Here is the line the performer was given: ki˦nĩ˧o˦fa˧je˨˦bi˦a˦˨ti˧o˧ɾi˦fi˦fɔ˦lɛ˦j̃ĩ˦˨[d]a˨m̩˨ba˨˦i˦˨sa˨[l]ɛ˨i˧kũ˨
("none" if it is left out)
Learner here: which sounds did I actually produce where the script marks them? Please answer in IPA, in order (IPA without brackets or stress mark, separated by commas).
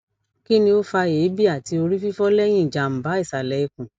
d͡ʒ, l